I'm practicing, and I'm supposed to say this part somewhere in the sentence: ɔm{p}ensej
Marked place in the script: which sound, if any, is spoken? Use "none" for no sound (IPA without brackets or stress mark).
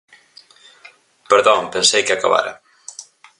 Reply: p